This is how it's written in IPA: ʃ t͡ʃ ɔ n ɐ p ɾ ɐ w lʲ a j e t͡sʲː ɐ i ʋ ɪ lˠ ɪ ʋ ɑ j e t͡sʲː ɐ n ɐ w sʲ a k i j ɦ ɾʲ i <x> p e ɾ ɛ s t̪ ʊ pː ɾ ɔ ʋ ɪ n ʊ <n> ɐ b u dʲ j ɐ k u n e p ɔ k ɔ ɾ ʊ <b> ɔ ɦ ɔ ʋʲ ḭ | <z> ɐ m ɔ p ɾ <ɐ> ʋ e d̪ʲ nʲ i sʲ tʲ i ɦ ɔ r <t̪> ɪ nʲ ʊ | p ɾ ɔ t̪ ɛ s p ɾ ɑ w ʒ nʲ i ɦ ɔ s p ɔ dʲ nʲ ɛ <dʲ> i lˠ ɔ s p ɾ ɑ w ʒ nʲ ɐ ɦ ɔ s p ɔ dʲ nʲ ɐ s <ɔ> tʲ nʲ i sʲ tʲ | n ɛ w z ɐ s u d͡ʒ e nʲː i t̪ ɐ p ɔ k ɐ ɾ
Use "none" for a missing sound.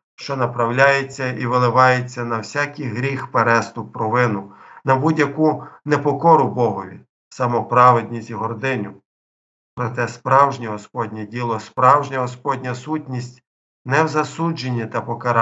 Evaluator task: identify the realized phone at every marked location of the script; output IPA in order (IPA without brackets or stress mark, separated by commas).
x, n, b, s, ɑ, d̪, dʲ, u